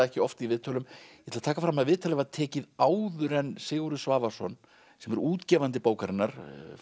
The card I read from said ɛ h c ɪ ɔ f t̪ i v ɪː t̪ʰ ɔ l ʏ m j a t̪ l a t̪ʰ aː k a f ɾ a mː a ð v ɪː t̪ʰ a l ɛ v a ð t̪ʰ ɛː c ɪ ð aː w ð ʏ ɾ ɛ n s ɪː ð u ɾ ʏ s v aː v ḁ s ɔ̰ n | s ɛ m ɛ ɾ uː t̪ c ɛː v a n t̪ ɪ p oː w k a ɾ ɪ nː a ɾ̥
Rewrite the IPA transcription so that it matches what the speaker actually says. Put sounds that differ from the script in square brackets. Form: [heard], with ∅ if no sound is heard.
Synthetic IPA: ɛ h c ɪ ɔ f t̪ i v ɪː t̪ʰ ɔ l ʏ m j [ɛ] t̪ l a t̪ʰ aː k a f ɾ a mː a ð v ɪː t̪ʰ a l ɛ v a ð t̪ʰ ɛː c ɪ ð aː w ð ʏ ɾ ɛ n s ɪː [ɣ] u ɾ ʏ s v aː v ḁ s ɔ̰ n | s ɛ m ɛ ɾ uː t̪ c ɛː v a n t̪ ɪ p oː w k a ɾ ɪ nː a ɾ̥